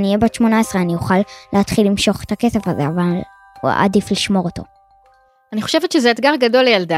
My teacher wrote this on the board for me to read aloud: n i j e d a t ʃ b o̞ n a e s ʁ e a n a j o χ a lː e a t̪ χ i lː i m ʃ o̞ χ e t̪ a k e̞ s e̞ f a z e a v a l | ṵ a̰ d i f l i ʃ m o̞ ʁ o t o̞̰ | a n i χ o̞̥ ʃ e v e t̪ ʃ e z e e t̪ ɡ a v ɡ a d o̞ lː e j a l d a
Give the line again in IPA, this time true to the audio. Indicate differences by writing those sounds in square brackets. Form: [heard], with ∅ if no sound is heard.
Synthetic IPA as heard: n i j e [b] a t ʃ [m] o̞ n a e s ʁ e a n [i] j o χ a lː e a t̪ χ i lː i m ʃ o̞ χ e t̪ a k e̞ s e̞ f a z e a v a l | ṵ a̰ d i f l i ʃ m o̞ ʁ o t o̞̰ | a n i χ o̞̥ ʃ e v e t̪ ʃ e z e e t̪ ɡ a [ʁ] ɡ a d o̞ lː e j a l d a